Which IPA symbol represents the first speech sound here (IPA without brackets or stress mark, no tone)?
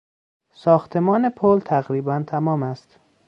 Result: s